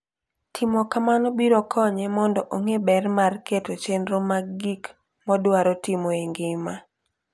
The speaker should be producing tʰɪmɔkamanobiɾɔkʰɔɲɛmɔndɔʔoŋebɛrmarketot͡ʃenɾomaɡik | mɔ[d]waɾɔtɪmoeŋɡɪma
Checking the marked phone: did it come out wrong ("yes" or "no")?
no